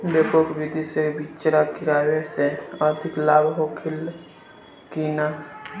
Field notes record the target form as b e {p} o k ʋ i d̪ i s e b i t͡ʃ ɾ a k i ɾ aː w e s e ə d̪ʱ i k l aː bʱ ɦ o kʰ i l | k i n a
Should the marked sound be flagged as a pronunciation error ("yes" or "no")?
no